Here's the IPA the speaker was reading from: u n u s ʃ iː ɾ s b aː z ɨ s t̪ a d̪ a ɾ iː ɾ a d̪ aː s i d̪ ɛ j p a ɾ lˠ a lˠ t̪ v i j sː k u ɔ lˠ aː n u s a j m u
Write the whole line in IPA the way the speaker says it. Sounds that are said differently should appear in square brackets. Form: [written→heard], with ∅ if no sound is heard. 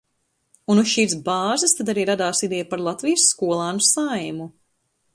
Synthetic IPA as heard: u n u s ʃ iː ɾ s b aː z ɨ s t̪ a d̪ a ɾ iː ɾ a d̪ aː s i d̪ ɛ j p a ɾ lˠ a [lˠ→∅] t̪ v i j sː k u ɔ lˠ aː n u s a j m u

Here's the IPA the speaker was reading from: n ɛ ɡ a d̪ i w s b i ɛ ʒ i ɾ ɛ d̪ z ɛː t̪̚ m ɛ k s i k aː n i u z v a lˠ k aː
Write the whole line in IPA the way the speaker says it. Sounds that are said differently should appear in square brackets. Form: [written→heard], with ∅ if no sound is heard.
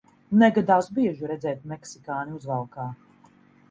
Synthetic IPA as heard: n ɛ ɡ a d̪ [i→a] w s b i ɛ ʒ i ɾ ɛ d̪ z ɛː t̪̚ m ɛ k s i k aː n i u z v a lˠ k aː

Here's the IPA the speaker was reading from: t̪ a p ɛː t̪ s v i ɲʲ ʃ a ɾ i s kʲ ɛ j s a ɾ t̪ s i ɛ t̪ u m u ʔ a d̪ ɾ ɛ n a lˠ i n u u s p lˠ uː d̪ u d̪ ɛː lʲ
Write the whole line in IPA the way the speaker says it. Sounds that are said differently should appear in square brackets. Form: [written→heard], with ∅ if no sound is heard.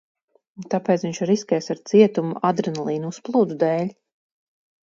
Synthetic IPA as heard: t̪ a p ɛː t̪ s v i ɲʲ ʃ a ɾ i s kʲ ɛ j s a ɾ t̪ s i ɛ t̪ u m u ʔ a d̪ ɾ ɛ n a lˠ [i→iː] n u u s p lˠ uː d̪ u d̪ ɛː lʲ

